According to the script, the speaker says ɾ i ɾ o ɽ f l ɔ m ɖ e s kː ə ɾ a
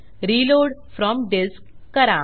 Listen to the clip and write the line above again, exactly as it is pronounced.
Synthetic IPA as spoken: ɾ i l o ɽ f ɾ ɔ m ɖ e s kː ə ɾ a